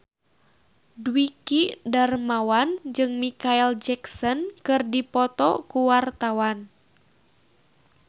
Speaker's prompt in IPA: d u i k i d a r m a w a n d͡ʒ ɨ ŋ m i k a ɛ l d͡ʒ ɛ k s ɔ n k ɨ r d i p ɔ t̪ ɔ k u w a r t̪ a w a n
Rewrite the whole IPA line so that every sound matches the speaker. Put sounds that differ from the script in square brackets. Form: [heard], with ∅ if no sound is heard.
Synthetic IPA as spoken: d [w] i k i d a r m a w a n d͡ʒ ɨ ŋ m i k a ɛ l d͡ʒ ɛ k s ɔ n k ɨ r d i p ɔ t̪ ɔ k u w a r t̪ a w a n